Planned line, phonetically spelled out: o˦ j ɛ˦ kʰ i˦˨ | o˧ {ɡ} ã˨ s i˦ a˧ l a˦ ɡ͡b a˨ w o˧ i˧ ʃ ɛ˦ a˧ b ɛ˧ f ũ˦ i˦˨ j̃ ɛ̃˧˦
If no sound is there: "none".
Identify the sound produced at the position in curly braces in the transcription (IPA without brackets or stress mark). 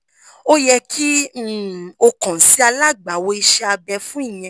k